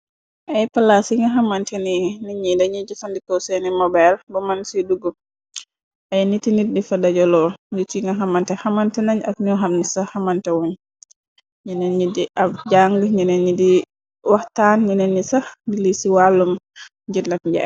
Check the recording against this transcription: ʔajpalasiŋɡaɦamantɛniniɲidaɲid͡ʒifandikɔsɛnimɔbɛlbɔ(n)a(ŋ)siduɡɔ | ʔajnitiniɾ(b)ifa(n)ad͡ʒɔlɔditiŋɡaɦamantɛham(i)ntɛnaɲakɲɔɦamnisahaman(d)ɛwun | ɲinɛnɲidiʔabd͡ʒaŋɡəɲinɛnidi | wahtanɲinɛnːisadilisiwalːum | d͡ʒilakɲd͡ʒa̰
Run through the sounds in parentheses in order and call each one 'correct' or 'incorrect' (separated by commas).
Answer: incorrect, incorrect, incorrect, incorrect, incorrect, incorrect